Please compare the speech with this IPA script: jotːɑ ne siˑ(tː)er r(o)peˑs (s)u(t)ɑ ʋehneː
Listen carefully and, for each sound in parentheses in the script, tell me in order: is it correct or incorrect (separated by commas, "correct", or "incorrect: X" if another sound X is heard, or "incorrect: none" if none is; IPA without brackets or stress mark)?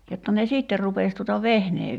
correct, incorrect: u, incorrect: t, correct